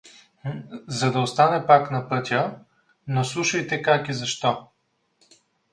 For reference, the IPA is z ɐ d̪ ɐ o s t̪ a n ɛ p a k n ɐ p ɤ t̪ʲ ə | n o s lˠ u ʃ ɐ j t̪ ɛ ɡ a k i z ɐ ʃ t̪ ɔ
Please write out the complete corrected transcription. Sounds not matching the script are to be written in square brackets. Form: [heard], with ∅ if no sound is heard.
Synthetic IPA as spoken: z ɐ d̪ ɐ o s t̪ a n ɛ p a k n ɐ p ɤ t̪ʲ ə | n o s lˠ u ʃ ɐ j t̪ ɛ [k] a k i z ɐ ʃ t̪ ɔ